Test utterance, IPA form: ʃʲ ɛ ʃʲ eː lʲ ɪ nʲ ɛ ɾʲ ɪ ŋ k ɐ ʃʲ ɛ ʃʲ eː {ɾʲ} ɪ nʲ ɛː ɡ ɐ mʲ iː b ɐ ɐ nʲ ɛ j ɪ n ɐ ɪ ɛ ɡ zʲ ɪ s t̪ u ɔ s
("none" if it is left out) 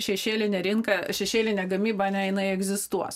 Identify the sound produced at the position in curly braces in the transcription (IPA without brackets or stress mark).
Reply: lʲ